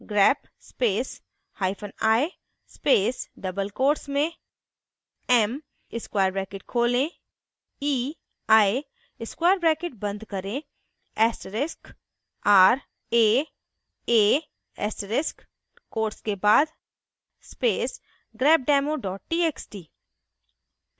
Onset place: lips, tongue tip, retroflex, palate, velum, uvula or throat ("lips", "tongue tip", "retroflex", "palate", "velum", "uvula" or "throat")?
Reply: velum